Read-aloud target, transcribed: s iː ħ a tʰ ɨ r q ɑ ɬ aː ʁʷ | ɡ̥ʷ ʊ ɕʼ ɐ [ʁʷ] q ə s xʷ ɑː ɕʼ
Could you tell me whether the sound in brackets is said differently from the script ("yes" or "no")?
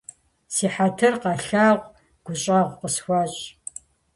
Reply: no